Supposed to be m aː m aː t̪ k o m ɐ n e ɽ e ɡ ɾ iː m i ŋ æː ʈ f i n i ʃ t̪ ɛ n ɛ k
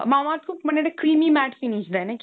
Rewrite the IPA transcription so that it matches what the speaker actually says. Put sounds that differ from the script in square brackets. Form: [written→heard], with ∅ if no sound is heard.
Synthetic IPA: m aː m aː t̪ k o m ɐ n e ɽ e [ɡ→k] ɾ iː m i [ŋ→m] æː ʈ f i n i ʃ [t̪→d̪] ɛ n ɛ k